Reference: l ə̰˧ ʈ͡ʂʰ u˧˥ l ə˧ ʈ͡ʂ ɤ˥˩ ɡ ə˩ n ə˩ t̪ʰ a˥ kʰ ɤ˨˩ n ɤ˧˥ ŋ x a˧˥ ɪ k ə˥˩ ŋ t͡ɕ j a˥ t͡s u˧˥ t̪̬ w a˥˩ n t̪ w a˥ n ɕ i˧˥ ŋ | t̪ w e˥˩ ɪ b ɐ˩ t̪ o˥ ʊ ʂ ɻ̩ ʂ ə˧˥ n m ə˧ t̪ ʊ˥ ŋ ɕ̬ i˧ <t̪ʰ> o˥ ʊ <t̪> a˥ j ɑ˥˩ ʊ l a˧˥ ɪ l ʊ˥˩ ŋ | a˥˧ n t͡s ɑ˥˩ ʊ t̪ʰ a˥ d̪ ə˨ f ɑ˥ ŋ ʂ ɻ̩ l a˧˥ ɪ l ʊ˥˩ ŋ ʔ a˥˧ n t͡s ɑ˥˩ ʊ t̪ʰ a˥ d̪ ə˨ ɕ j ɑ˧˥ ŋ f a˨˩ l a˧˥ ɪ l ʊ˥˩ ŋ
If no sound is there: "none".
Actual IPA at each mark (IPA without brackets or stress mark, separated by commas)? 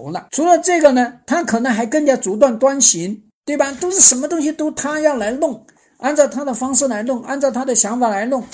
t̪, t̪ʰ